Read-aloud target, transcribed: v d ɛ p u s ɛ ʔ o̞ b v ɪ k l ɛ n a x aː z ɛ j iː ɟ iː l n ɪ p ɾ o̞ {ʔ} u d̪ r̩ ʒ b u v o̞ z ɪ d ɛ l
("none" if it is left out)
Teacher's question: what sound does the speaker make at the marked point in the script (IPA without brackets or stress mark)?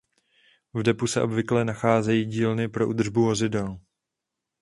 ʔ